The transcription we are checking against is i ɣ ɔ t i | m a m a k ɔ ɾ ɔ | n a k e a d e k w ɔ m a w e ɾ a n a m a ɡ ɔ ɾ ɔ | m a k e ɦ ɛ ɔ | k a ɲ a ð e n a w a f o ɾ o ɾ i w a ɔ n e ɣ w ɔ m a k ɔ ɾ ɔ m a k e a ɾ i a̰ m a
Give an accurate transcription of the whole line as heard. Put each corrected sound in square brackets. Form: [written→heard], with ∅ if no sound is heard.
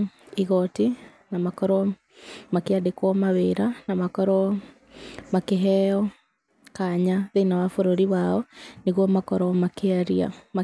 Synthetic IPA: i ɣ ɔ t i | [m→n] a m a k ɔ ɾ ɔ | [n→m] a k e a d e k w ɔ m a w e ɾ a n a m a [ɡ→k] ɔ ɾ ɔ | m a k e ɦ ɛ ɔ | k a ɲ a ð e n a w a f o ɾ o ɾ i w a ɔ n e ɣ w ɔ m a k ɔ ɾ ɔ m a k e a ɾ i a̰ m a